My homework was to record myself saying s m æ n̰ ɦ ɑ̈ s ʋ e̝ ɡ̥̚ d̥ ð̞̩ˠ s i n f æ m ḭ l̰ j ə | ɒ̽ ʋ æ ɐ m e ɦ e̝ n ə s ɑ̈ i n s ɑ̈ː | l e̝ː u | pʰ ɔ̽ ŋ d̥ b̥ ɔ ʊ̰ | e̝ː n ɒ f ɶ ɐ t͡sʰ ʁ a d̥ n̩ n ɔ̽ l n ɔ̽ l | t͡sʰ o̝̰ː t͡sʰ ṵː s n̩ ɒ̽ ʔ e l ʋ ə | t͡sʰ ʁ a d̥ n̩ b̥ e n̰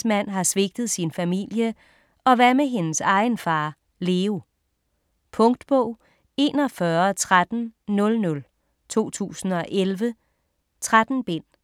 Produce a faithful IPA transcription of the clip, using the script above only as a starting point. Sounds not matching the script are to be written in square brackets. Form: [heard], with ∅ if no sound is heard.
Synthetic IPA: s m æ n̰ ɦ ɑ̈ s ʋ e̝ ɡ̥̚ d̥ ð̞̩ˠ s i n f æ m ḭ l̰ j ə | ɒ̽ ʋ æ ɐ m e ɦ e̝ n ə s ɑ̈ [ɪ] n [f] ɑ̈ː | l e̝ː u | pʰ ɔ̽ ŋ d̥ b̥ ɔ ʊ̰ | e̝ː n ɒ f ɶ ɐ t͡sʰ ʁ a d̥ n̩ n ɔ̽ l n ɔ̽ l | t͡sʰ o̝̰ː t͡sʰ ṵː s n̩ ɒ̽ ʔ e l ʋ ə | t͡sʰ ʁ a d̥ n̩ b̥ e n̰